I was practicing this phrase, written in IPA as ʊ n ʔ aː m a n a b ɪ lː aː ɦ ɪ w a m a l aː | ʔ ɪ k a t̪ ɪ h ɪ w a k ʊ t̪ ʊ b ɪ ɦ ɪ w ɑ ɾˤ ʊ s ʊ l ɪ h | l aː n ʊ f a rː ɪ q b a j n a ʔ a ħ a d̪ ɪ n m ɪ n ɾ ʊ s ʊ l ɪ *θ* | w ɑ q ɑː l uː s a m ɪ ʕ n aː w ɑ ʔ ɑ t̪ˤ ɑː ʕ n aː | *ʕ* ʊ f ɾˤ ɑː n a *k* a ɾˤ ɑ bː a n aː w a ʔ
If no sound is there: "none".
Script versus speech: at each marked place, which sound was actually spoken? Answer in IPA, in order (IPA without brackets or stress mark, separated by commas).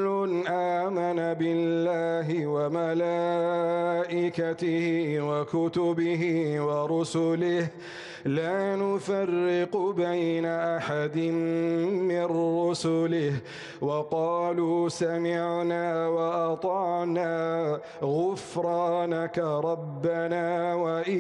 h, ɣ, k